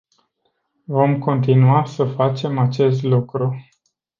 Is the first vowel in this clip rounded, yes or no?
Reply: yes